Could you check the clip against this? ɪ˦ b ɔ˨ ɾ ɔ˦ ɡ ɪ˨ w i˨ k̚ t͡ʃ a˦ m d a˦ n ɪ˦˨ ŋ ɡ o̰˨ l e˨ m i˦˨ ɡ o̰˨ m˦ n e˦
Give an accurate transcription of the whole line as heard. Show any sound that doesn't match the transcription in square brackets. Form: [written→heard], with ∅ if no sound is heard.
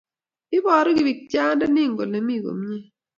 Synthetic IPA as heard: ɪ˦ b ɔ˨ ɾ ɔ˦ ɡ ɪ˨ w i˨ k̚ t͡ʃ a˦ [m→n] d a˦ n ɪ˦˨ ŋ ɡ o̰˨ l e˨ m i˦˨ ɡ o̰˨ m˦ [n→ɲ] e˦